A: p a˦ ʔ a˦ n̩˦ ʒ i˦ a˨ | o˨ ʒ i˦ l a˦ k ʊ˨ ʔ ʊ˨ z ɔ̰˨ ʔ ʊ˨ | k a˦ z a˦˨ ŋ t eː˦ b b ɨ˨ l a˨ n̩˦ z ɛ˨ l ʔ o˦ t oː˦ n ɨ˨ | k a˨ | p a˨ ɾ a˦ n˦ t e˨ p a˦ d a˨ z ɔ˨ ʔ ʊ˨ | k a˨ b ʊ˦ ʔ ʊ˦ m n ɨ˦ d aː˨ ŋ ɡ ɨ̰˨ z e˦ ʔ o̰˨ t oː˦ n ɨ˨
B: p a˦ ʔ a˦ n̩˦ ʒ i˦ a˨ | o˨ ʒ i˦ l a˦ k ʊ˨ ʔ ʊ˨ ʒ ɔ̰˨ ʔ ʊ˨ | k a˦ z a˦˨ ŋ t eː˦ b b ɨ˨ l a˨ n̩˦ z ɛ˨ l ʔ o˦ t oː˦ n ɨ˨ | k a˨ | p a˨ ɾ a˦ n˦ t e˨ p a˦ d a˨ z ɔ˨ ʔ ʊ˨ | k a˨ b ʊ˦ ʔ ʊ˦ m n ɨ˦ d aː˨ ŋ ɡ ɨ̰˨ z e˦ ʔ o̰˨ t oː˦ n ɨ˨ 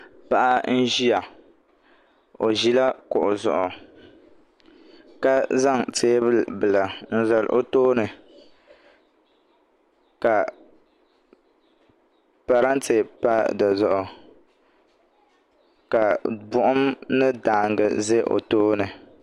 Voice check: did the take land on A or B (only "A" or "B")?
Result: A